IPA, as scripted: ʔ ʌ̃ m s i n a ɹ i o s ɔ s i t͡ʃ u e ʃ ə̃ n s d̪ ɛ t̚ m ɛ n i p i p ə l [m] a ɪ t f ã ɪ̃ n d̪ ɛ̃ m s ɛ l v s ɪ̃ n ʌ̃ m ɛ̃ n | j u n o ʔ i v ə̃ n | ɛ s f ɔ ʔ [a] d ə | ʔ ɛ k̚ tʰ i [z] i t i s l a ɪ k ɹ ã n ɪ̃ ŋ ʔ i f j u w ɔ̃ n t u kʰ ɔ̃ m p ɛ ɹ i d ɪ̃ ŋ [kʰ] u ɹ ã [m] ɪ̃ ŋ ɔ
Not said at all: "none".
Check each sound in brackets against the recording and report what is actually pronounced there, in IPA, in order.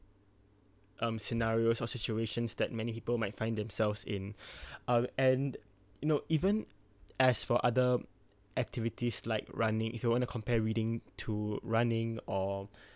m, a, v, tʰ, n

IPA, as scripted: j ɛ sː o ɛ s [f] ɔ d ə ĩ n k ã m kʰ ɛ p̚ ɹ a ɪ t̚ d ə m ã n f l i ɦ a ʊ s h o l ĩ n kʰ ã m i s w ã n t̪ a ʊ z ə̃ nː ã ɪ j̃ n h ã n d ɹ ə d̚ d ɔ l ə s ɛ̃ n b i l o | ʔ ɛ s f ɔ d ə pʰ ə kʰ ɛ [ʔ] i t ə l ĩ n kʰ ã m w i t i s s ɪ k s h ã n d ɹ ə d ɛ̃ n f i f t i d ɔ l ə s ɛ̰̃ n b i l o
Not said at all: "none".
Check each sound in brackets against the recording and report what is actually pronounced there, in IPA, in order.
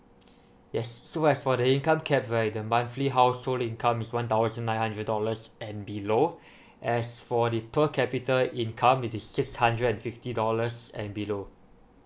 f, p

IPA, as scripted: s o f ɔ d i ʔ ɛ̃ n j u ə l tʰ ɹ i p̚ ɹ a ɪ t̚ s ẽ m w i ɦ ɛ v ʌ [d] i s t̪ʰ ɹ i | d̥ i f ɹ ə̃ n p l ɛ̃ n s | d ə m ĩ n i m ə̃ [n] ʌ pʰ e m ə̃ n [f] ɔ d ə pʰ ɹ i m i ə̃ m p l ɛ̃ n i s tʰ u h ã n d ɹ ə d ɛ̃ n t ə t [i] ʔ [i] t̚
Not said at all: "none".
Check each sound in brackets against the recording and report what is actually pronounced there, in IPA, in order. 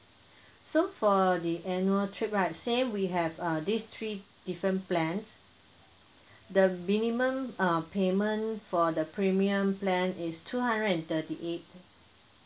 d, m, f, i, e

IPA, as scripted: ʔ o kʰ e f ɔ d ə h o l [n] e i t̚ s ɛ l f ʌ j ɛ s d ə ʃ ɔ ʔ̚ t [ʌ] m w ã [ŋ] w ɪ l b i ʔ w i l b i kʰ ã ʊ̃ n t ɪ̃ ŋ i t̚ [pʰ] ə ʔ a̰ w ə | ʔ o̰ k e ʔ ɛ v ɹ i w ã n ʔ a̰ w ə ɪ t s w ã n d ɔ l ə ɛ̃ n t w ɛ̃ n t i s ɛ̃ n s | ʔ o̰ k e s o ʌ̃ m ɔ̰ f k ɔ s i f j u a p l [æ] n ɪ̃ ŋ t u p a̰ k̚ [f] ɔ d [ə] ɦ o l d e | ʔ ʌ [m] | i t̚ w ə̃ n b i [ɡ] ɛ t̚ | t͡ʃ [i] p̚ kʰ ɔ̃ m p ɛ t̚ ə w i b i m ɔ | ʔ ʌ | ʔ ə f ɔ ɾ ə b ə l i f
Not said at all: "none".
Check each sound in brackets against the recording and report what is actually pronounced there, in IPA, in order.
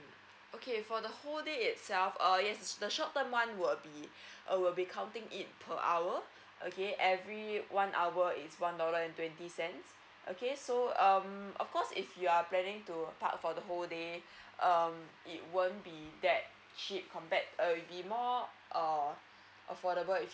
d, ə, n, pʰ, ɛ, f, ə, m, d, i

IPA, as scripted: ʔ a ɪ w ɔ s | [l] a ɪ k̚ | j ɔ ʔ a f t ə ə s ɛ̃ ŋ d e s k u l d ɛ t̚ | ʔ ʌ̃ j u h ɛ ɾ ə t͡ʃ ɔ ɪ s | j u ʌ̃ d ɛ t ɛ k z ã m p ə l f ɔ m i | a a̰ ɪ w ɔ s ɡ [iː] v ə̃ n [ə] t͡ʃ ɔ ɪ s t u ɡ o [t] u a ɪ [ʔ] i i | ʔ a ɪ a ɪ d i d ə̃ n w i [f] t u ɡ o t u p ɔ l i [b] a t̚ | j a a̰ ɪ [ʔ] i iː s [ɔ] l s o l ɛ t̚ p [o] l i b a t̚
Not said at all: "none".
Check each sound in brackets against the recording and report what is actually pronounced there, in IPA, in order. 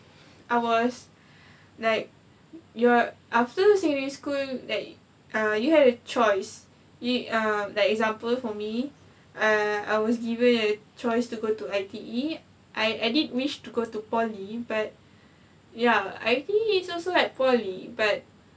l, i, ə, t, t, ʃ, b, t, ɔ, ɔ

